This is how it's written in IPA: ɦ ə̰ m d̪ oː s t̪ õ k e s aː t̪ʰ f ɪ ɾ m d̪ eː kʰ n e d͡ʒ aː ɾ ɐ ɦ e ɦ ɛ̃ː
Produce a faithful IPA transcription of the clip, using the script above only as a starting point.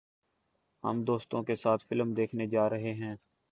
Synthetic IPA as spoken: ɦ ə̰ m d̪ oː s t̪ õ k e s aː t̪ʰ f ɪ l m d̪ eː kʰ n e d͡ʒ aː ɾ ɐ ɦ e ɦ ɛ̃ː